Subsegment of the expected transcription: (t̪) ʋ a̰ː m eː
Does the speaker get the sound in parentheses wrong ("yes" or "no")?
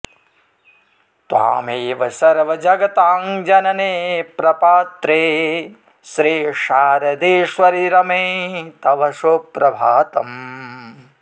no